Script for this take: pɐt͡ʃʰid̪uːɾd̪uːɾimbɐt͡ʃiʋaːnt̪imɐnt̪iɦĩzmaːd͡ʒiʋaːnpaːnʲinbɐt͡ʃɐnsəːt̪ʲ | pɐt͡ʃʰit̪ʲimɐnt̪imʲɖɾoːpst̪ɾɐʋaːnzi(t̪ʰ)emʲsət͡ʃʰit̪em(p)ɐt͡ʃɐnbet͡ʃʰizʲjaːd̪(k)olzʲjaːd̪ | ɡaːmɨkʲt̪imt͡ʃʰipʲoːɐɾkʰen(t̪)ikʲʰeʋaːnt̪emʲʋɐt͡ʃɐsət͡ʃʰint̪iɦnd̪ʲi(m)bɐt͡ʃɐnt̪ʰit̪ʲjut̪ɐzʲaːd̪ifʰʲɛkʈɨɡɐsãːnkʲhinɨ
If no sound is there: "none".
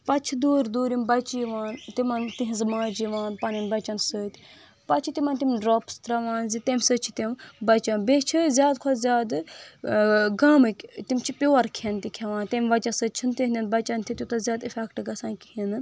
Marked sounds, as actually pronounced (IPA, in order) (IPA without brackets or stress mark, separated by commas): t̪, b, kʰ, t̪, n